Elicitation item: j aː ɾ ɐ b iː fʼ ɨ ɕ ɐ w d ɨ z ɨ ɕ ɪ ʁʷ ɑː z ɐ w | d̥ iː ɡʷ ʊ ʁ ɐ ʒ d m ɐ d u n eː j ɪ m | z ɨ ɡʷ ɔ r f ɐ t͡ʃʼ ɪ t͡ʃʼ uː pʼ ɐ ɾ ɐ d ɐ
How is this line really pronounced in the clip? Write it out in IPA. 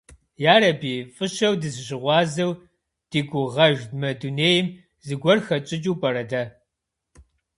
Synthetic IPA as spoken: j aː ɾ ɐ b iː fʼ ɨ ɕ ɐ w d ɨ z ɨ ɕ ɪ ʁʷ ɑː z ɐ w | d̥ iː ɡʷ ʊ ʁ ɐ ʒ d m ɐ d u n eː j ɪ m | z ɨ ɡʷ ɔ r x ɐ t͡ʃʼ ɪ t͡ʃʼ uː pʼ ɐ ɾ ɐ d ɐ